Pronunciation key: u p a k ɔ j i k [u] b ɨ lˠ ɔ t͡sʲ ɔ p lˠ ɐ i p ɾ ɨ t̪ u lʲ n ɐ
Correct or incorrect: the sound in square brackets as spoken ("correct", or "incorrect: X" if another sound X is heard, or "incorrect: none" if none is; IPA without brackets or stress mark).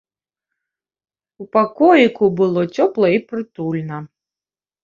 correct